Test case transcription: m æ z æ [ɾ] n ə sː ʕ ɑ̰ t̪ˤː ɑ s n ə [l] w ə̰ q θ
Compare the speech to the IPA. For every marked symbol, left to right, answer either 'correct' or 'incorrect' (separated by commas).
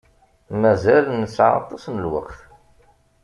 incorrect, correct